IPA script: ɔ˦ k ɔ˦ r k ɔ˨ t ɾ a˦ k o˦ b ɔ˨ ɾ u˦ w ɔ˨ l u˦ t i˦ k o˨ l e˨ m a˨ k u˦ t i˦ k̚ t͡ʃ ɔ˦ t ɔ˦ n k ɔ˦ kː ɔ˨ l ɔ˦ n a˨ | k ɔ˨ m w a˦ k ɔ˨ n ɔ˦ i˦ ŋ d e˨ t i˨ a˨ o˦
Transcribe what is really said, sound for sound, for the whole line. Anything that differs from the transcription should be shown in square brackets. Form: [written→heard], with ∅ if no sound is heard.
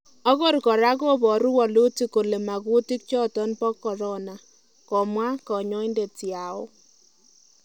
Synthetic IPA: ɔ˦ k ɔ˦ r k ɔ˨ [t→∅] ɾ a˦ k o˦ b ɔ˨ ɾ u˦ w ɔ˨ l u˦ t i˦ k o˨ l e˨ m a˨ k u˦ t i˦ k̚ t͡ʃ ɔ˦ t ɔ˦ n [k→p] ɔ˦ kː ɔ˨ [l→ɾ] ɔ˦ n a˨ | k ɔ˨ m w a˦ k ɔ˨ [n→ɲ] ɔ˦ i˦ [ŋ→n] d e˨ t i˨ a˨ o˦